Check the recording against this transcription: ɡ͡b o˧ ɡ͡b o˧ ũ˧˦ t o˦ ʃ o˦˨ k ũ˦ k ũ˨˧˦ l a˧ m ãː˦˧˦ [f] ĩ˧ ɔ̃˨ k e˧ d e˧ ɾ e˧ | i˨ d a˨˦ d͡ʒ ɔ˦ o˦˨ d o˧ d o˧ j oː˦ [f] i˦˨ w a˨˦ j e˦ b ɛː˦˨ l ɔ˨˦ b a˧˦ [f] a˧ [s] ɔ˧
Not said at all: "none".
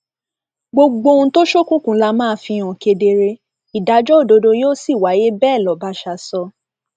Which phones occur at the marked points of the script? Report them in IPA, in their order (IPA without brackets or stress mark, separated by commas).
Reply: f, s, ʃ, s